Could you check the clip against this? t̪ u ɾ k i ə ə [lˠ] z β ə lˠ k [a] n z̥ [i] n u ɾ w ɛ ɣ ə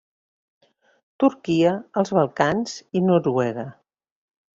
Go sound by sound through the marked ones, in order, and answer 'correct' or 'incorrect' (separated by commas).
correct, correct, correct